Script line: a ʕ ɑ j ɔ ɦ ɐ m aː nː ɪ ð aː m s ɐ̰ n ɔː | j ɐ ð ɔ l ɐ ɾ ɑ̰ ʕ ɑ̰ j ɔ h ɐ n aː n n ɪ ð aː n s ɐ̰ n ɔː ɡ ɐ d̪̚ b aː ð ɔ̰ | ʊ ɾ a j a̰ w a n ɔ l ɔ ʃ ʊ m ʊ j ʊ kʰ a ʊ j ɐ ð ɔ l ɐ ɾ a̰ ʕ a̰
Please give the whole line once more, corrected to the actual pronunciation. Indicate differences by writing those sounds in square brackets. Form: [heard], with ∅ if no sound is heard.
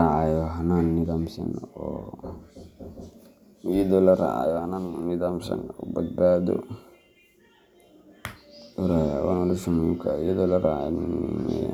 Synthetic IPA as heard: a ʕ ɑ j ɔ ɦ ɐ [n] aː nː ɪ ð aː m s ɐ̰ n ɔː | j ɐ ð ɔ l ɐ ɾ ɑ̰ ʕ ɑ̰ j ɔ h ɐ n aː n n ɪ ð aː [m] s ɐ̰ n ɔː [b] ɐ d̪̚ b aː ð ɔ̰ | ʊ ɾ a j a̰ w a n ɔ l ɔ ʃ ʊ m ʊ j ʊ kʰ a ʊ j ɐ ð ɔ l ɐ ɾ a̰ ʕ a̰